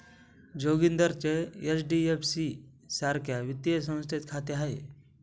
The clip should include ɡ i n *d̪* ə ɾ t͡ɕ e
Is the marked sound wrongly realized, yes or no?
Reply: no